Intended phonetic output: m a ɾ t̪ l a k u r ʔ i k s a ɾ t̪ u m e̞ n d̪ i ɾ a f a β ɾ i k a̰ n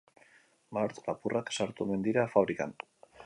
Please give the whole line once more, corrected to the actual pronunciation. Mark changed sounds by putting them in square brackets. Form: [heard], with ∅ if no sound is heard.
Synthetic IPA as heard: m a ɾ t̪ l a [p] u r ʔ [a] k s a ɾ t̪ u m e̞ n d̪ i ɾ a f a β ɾ i k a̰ n